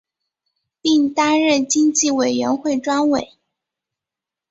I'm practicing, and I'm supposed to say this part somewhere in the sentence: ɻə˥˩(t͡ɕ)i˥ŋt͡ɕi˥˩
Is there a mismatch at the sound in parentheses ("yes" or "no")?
no